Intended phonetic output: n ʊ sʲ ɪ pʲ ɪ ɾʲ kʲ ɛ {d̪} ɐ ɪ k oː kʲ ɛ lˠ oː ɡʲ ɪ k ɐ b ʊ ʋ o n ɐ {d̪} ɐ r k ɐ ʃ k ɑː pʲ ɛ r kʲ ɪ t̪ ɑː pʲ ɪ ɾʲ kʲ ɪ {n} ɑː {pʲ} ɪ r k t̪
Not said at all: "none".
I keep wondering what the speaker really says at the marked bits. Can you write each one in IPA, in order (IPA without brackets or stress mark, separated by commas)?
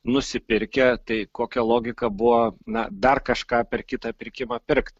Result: t̪, d̪, m, pʲ